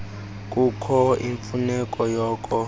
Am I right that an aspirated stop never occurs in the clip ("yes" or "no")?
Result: no